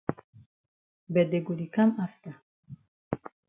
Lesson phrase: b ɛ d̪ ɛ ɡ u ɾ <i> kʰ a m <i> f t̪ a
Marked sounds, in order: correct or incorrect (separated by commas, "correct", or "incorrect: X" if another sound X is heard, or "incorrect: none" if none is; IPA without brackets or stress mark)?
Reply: correct, incorrect: a